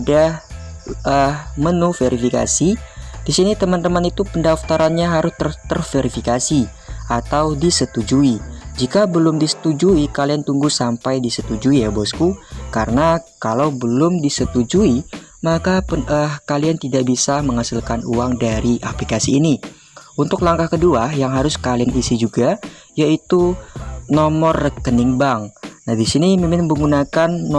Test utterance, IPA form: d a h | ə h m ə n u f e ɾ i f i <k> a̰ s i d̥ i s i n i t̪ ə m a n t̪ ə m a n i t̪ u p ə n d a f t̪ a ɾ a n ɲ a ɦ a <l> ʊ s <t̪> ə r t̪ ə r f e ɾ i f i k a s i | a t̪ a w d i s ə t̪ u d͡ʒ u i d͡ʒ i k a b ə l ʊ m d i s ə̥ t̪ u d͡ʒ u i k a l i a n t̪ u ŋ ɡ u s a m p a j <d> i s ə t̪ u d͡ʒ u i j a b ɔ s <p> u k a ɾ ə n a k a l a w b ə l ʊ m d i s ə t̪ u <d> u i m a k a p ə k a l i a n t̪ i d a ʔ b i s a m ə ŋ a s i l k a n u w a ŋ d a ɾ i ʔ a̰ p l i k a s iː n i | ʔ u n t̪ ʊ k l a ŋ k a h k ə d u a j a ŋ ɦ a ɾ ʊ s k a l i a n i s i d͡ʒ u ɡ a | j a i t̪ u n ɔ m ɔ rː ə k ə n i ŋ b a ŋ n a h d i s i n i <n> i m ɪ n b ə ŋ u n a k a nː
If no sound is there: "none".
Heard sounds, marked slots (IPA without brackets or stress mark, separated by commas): k, ɾ, t̪, d, k, d͡ʒ, m